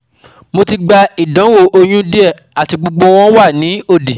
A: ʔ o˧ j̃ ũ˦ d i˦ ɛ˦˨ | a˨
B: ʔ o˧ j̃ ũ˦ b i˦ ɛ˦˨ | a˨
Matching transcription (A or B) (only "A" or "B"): A